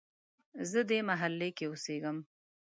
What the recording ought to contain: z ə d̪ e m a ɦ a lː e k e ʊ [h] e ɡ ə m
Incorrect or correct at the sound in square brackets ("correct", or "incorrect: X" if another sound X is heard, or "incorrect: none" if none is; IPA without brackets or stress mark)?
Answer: incorrect: s